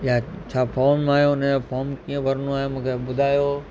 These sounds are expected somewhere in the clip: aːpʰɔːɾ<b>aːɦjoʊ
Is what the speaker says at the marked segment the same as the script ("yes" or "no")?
no